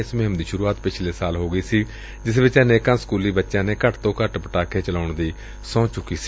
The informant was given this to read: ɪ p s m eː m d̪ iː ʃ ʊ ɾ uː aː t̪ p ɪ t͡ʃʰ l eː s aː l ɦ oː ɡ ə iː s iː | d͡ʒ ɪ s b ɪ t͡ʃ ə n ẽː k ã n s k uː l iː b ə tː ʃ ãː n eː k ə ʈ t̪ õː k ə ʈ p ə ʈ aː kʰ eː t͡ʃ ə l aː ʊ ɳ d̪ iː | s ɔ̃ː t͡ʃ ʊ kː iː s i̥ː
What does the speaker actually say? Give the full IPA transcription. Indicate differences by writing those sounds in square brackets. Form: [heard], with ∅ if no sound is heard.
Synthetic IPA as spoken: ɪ [∅] s m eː m d̪ iː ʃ ʊ ɾ uː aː t̪ p ɪ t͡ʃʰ l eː s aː l ɦ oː ɡ ə iː s iː | d͡ʒ ɪ s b ɪ t͡ʃ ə n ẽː k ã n s k uː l iː b ə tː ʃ ãː n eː k ə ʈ t̪ õː k ə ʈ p ə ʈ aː kʰ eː t͡ʃ ə l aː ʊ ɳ d̪ iː | s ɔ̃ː t͡ʃ ʊ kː iː s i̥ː